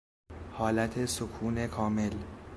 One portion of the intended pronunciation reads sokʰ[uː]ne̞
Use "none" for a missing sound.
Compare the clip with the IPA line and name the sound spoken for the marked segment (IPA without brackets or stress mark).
uː